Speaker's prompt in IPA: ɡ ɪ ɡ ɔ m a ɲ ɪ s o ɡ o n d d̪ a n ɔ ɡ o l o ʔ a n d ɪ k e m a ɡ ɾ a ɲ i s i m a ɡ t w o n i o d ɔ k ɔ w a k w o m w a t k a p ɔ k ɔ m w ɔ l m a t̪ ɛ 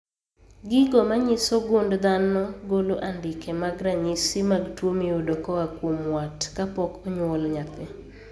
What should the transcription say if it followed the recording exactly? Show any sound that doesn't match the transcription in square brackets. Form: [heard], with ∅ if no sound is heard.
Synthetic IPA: ɡ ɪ ɡ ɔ m a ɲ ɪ s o ɡ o n d d̪ a n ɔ ɡ o l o ʔ a n d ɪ k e m a ɡ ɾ a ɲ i s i m a ɡ t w o [m] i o d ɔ k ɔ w a k w o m w a t k a p ɔ k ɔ [ɲ] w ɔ l [ɲ] a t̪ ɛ

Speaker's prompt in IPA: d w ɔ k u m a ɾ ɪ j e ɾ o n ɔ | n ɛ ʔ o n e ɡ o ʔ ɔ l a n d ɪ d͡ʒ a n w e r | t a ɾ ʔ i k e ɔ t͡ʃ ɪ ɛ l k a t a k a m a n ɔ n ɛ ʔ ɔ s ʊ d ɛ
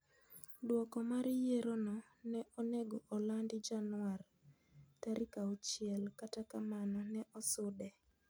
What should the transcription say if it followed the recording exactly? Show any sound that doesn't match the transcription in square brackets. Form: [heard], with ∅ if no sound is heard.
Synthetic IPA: d w ɔ k [ɔ] m a ɾ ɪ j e ɾ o n ɔ | n ɛ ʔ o n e ɡ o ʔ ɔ l a n d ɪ d͡ʒ a n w [a] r | t a ɾ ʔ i k [a] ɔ t͡ʃ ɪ ɛ l k a t a k a m a n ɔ n ɛ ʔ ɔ s ʊ d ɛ

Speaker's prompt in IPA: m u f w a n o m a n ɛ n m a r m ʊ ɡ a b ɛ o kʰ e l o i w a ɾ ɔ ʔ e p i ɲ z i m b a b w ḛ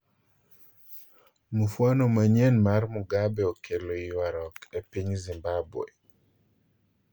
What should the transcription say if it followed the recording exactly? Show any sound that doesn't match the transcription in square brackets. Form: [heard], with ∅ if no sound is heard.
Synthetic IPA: m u f w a n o m a [ɲ] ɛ n m a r m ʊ ɡ a b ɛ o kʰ e l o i w a ɾ ɔ [k] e p i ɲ z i m b a b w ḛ

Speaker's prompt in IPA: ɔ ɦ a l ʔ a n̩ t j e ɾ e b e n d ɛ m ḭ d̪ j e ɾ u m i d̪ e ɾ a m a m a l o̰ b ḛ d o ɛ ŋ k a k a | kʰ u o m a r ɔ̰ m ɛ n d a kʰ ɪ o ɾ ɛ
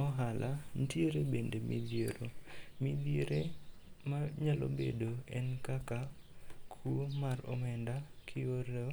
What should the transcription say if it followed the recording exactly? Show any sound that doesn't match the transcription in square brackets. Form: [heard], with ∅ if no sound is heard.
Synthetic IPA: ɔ ɦ a l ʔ a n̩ t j e ɾ e b e n d [e] m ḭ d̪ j e ɾ [o] m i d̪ e ɾ [e] m a [ɲ] a l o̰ b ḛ d o ɛ [n] k a k a | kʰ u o m a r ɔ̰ m ɛ n d a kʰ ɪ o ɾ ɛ

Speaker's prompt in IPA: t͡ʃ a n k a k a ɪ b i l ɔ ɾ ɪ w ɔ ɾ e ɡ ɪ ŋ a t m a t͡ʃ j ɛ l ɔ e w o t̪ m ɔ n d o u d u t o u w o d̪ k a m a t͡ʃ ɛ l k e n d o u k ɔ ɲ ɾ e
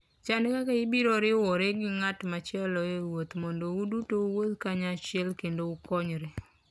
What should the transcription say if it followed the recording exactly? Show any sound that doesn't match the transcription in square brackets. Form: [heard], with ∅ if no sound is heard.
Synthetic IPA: t͡ʃ a n k a k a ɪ b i [ɾ] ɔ ɾ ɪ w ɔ ɾ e ɡ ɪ ŋ a t m a t͡ʃ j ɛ l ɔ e w o t̪ m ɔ n d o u d u t o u w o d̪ k a [ɲ] a t͡ʃ ɛ l k e n d o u k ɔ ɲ ɾ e

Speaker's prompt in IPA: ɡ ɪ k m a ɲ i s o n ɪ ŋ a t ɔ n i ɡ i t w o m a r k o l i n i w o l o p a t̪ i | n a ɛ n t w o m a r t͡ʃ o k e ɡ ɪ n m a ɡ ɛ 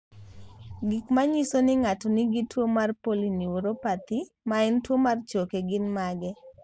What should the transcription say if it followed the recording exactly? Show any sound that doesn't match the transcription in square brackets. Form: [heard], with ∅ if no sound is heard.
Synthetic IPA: ɡ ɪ k m a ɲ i s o n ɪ ŋ a t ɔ n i ɡ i t w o m a r [p] o l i n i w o [ɾ] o p a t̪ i | [m] a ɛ n t w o m a r t͡ʃ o k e ɡ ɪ n m a ɡ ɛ

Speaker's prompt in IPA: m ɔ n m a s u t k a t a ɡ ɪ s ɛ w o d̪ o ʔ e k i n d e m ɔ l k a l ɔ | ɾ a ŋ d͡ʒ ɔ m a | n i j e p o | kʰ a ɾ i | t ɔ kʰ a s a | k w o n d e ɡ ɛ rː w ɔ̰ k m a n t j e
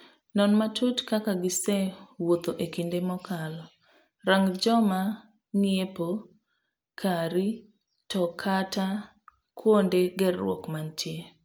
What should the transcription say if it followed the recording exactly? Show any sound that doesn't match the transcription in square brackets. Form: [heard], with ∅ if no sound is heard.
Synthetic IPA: [n] ɔ n m a [t] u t k a [k] a ɡ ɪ s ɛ w o [t̪] o ʔ e k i n d e m ɔ [∅] k a l ɔ | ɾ a ŋ d͡ʒ ɔ m a | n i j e p o | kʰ a ɾ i | t ɔ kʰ a [t] a | k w o n d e ɡ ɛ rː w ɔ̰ k m a n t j e

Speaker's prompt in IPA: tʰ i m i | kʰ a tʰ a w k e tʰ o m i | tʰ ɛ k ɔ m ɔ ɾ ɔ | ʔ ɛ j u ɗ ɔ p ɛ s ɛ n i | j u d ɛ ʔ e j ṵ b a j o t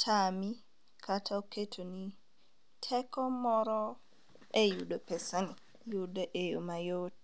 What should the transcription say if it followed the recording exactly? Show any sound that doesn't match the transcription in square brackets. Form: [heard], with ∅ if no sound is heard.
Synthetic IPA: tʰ [a] m i | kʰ a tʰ a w k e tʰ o [n] i | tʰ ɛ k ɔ m ɔ ɾ ɔ | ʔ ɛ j u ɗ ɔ p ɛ s [a] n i | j u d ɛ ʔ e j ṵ [m] a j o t

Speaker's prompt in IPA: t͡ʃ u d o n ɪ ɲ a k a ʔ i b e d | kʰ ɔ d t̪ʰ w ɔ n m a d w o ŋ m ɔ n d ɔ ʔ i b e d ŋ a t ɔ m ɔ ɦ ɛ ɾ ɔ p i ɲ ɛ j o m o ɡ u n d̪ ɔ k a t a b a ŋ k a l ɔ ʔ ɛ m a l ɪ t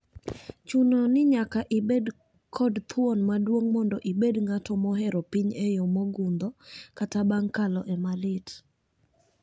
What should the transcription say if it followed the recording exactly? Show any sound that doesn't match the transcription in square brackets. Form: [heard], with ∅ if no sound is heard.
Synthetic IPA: t͡ʃ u [n] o n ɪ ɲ a k a ʔ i b e d | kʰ ɔ d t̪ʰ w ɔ n m a d w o ŋ m ɔ n d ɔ ʔ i b e d ŋ a t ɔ m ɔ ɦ ɛ ɾ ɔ p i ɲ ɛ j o m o ɡ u n d̪ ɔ k a t a b a ŋ k a l ɔ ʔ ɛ m a l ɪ t

